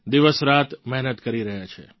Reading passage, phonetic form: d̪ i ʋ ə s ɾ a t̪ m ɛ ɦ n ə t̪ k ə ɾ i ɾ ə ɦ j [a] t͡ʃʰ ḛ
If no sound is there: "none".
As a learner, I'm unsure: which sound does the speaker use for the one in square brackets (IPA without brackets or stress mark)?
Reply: a